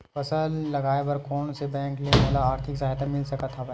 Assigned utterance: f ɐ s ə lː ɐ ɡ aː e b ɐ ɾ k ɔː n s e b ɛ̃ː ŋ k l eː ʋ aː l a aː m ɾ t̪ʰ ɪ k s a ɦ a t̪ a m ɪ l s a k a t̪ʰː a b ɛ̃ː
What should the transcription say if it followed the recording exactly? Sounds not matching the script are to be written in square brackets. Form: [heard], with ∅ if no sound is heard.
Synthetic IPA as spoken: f ɐ s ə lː ɐ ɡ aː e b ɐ ɾ k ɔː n s e b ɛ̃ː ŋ k l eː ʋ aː l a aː [∅] ɾ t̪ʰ ɪ k s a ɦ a t̪ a m ɪ l s [ɐ] k a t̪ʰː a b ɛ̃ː